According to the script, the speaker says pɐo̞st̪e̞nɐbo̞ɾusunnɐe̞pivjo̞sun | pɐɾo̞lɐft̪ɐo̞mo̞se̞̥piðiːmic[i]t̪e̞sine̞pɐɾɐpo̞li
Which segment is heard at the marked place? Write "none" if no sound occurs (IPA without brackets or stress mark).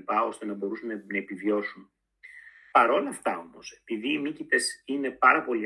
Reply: i